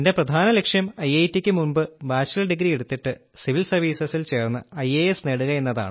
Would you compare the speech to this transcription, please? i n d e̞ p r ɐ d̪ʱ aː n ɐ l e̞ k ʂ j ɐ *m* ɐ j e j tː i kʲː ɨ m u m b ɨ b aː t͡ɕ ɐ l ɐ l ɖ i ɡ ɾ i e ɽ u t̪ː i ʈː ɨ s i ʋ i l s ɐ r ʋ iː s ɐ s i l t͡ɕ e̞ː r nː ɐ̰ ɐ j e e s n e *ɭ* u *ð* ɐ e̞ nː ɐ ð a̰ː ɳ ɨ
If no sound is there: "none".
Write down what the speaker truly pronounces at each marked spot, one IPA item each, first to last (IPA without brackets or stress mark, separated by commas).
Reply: m, ɽ, ɣ